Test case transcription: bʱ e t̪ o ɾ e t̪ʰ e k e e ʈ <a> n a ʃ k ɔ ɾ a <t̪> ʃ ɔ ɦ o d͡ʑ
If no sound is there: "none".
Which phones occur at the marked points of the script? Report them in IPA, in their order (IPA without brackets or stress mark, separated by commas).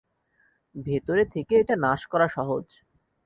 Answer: a, none